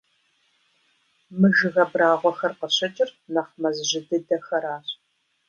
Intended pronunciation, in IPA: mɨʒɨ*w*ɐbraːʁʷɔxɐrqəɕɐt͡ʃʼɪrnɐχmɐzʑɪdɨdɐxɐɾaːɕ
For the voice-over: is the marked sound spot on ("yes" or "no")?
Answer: no